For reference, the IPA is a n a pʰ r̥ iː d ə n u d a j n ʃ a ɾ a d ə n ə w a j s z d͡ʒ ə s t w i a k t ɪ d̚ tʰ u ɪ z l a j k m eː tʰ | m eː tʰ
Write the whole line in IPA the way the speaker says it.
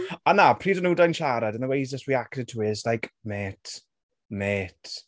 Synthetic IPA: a n a pʰ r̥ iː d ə n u d a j n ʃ a ɾ a d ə n ə w e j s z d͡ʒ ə s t w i a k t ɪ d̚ tʰ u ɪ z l a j k m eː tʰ | m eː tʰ